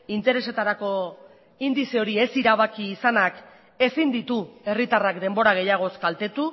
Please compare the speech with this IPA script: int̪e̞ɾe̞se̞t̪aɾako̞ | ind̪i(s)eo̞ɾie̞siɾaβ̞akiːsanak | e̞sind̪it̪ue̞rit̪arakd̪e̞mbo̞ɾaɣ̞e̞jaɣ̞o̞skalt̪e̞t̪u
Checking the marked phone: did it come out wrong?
no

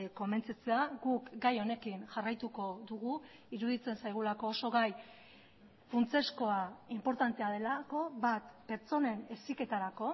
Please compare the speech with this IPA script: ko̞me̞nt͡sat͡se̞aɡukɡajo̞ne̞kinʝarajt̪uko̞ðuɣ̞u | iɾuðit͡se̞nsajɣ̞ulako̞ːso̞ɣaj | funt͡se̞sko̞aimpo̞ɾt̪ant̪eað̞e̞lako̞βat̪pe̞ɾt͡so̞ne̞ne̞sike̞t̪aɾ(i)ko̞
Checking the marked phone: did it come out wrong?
yes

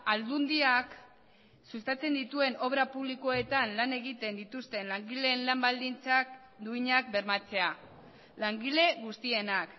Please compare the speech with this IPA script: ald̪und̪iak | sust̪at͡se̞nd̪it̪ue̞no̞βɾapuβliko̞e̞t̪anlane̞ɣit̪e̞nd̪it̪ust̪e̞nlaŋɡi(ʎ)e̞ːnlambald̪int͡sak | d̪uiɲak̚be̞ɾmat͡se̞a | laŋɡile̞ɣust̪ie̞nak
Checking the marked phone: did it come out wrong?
yes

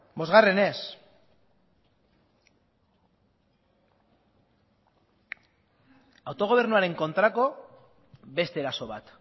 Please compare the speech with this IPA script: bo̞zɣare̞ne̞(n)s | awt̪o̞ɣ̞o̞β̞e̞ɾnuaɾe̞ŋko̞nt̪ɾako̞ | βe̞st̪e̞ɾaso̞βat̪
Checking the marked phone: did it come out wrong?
yes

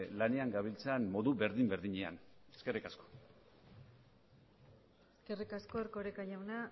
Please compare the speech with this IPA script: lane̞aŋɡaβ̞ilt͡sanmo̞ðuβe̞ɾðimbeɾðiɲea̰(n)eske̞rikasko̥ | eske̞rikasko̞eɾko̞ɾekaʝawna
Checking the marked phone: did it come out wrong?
no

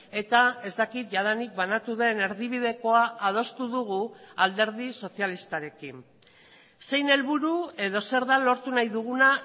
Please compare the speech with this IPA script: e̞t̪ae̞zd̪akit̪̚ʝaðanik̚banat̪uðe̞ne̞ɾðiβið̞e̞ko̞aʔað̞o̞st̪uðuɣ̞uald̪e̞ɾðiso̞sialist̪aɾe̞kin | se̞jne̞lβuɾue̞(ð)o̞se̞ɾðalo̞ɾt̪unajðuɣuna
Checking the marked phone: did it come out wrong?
no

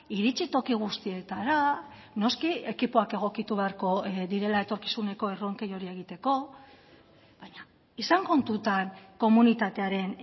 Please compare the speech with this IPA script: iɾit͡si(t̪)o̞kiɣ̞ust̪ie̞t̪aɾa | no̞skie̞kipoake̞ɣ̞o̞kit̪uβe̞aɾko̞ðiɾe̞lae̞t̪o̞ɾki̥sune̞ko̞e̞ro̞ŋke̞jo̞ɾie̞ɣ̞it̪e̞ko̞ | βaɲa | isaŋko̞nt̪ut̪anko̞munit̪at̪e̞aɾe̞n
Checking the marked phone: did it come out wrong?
no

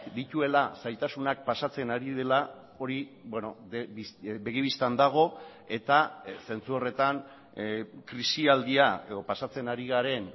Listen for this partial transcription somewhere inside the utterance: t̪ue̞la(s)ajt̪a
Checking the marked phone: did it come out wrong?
no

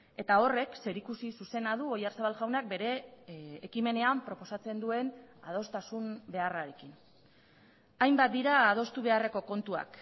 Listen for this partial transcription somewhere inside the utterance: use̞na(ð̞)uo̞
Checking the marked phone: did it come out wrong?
no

